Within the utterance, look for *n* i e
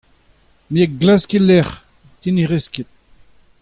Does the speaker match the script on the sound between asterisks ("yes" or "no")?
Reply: no